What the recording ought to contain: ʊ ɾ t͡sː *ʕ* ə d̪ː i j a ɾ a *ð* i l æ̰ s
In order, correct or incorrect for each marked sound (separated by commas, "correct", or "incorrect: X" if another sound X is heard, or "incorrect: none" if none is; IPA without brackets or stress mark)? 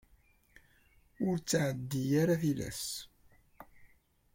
correct, incorrect: θ